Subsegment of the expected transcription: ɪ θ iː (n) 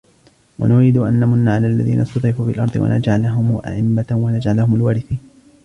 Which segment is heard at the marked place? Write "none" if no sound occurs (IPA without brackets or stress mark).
n